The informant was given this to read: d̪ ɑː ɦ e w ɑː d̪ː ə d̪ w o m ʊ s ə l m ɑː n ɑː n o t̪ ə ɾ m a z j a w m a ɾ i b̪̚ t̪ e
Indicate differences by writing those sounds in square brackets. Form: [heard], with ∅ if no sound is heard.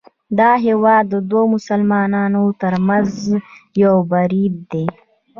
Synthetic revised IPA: d̪ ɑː ɦ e w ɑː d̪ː ə d̪ w o m ʊ s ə l m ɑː n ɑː n o t̪ ə ɾ m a z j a w [b] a ɾ i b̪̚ [d̪] e